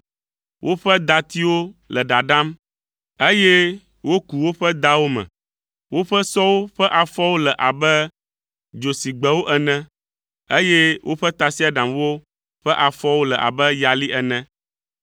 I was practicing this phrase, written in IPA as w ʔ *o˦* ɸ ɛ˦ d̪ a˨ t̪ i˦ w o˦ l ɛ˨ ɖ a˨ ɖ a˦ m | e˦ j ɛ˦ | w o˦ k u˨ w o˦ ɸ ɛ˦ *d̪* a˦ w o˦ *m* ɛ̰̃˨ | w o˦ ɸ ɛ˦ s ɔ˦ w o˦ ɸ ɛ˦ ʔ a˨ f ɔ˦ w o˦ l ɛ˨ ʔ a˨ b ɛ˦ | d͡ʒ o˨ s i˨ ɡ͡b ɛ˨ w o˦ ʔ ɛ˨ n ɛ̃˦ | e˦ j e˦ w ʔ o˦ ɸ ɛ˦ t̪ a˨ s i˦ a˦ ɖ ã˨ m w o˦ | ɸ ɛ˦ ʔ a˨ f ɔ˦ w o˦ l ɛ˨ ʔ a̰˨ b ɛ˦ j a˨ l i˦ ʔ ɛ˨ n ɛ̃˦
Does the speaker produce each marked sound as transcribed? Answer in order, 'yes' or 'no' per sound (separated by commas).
yes, yes, yes